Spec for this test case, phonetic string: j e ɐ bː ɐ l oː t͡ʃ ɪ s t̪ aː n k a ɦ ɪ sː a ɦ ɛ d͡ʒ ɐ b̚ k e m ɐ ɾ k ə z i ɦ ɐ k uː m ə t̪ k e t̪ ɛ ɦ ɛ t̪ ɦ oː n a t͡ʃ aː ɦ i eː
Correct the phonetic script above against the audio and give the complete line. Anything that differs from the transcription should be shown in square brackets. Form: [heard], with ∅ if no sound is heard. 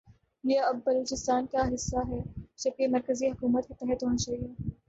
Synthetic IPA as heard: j e ɐ bː ɐ l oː t͡ʃ ɪ s t̪ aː n k a ɦ ɪ sː a ɦ ɛ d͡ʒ ɐ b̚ k e m ɐ ɾ k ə z i ɦ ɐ k uː m ə t̪ k e t̪ ɛ ɦ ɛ t̪ ɦ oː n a t͡ʃ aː ɦ i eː